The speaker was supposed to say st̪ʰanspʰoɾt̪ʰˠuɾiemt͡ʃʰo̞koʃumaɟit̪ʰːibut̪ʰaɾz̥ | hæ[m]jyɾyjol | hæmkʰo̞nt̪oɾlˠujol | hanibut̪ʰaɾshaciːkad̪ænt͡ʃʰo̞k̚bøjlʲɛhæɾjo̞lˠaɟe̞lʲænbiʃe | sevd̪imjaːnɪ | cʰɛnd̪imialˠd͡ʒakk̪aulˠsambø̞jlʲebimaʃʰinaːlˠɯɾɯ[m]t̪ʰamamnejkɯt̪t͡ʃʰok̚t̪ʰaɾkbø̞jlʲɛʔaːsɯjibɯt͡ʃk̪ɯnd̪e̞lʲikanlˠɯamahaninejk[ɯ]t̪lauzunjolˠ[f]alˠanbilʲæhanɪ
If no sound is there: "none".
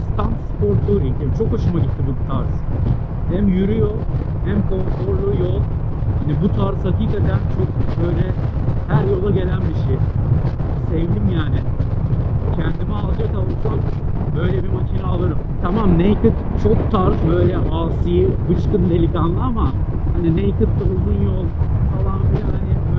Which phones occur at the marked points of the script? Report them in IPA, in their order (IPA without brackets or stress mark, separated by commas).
m, m, ɯ, f